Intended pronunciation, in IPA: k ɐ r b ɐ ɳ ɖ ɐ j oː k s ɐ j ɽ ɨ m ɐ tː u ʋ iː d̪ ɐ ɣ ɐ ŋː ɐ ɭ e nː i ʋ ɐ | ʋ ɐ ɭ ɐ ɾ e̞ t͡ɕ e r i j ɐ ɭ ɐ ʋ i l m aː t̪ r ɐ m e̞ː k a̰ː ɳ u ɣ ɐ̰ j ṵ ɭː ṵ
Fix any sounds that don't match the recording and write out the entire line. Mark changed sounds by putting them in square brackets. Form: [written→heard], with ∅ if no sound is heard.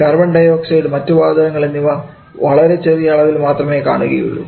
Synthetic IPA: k ɐ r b ɐ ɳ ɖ ɐ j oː k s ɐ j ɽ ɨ m ɐ tː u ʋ [iː→aː] d̪ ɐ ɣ ɐ ŋː ɐ ɭ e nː i ʋ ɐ | ʋ ɐ ɭ ɐ ɾ e̞ t͡ɕ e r i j ɐ ɭ ɐ ʋ i l m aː t̪ r ɐ m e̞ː k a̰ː ɳ u ɣ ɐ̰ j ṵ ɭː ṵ